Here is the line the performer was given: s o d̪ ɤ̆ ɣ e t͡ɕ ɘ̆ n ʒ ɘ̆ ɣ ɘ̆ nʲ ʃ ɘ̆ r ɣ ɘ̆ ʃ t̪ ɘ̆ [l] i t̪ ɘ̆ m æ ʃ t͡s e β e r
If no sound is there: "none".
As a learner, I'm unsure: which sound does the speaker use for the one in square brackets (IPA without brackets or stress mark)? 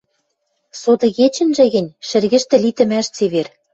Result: l